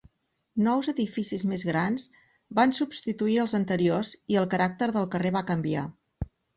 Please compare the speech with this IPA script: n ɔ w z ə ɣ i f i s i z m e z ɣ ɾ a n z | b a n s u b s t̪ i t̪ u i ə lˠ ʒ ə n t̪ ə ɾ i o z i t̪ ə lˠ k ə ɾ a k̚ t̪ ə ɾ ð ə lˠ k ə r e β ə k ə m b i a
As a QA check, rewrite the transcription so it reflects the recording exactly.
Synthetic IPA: n ɔ w z ə ð i f i s i z m e z ɣ ɾ a n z | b a n s u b s t̪ i t̪ u i ə lˠ z ə n t̪ ə ɾ i o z i ə lˠ k ə ɾ a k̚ t̪ ə ɾ ð ə lˠ k ə r e β a k ə m b i a